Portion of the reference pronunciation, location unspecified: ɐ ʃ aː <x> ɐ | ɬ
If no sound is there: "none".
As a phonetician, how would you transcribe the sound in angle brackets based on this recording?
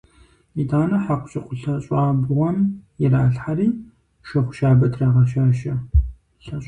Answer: ʃ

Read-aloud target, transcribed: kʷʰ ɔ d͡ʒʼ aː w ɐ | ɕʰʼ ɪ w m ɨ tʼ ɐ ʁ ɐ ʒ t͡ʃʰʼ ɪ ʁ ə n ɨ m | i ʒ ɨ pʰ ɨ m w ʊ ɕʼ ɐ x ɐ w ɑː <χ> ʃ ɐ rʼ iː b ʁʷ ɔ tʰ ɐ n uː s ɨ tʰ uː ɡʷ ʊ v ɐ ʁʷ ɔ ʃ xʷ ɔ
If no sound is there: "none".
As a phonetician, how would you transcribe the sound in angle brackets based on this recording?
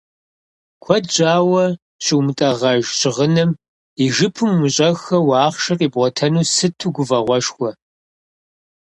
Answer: χ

